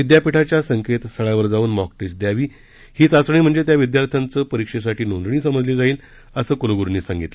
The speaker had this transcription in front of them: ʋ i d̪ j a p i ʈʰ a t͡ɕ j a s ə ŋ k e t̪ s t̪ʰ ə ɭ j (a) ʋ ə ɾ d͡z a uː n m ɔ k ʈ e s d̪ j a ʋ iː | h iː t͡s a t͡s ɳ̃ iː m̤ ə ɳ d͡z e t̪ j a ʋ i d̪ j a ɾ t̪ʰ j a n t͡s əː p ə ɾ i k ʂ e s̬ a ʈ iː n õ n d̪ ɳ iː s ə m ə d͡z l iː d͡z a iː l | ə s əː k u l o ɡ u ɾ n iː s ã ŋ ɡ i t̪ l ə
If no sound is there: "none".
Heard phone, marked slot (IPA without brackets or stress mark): a